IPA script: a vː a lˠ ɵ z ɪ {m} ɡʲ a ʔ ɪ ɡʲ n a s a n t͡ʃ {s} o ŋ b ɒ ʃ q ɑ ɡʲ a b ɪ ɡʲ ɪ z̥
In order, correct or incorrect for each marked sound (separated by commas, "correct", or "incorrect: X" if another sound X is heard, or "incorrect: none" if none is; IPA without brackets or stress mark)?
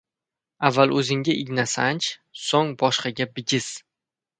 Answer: incorrect: ŋ, correct